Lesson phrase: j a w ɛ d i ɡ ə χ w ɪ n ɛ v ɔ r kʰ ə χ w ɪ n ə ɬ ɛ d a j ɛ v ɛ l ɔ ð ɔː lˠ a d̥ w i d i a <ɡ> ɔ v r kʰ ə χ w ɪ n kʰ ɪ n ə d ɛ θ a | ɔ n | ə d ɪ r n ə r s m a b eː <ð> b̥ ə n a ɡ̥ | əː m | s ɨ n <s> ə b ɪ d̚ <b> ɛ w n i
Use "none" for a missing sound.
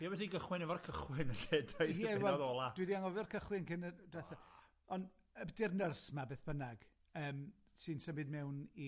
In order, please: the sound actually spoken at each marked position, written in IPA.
ŋ, θ, s, m

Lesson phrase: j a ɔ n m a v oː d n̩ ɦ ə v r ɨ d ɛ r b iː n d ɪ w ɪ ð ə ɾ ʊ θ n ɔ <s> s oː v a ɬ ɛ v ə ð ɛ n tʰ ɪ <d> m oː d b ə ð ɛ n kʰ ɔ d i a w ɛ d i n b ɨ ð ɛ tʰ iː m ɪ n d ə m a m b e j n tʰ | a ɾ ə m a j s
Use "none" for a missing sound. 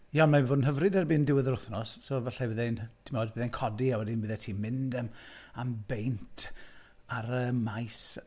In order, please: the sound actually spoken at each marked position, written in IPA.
s, none

